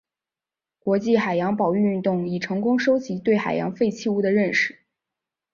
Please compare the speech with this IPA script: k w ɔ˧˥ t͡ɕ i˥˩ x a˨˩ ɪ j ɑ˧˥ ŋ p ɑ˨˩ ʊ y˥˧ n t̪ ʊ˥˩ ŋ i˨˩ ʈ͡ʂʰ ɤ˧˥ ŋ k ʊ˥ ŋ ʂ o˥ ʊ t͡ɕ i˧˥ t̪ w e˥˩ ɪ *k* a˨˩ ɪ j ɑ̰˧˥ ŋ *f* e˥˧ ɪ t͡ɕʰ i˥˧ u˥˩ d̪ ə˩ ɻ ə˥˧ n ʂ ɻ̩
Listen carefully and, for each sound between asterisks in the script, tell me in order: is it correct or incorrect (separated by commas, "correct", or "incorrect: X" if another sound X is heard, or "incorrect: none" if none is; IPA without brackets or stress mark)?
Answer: incorrect: x, correct